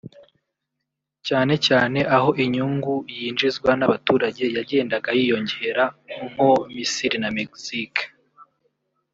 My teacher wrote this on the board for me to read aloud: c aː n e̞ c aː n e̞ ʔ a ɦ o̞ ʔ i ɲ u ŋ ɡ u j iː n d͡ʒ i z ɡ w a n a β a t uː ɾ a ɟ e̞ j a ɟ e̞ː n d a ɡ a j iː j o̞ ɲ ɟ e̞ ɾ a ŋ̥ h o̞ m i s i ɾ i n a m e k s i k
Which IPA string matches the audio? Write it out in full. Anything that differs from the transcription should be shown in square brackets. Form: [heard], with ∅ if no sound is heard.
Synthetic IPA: c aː n e̞ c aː n e̞ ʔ a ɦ o̞ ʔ i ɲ u ŋ ɡ u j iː n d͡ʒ i z ɡ w a n a β a t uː ɾ a ɟ e̞ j a ɟ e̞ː n d a ɡ a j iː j o̞ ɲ ɟ e̞ ɾ a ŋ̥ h o̞ m i s i ɾ i n a m e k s i k